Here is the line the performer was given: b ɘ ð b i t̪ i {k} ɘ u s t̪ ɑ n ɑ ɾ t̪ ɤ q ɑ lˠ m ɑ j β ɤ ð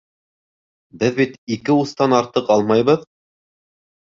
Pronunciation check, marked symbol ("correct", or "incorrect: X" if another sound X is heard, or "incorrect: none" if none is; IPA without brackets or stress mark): correct